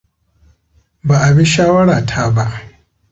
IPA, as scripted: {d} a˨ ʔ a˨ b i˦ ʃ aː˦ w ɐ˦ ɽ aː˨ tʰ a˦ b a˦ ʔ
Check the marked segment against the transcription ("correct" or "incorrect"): incorrect